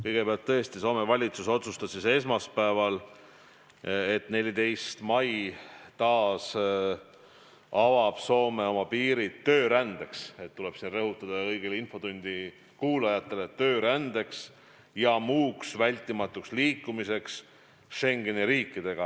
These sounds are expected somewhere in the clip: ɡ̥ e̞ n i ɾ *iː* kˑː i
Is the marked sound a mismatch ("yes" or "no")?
no